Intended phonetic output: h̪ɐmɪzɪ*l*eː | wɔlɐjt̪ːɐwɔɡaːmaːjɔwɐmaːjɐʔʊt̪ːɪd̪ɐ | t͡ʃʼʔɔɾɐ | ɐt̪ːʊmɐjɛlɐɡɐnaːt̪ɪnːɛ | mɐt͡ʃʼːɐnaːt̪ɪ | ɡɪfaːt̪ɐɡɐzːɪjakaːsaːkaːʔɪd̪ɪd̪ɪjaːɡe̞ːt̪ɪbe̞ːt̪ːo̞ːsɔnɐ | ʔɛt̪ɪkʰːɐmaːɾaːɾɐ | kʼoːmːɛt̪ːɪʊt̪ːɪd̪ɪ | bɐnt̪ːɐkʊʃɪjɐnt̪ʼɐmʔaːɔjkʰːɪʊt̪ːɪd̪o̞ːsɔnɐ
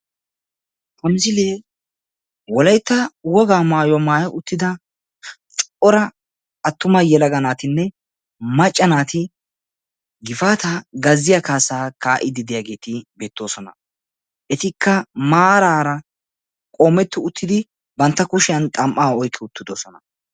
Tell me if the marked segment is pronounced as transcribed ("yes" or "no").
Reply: yes